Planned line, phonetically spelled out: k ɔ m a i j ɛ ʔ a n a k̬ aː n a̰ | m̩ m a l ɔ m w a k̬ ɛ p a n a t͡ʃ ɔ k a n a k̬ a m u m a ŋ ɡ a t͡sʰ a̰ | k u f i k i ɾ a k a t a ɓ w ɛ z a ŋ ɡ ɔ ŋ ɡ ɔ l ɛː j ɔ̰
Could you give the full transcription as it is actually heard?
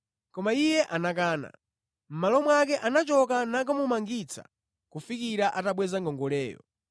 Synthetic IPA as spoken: k ɔ m a i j ɛ ʔ a n a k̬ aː n a̰ | m̩ m a l ɔ m w a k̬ ɛ ʔ a n a t͡ʃ ɔ k a n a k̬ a m u m a ŋ ɡ i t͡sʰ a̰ | k u f i k i ɾ a ʔ a t a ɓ w ɛ z a ŋ ɡ ɔ ŋ ɡ ɔ l ɛː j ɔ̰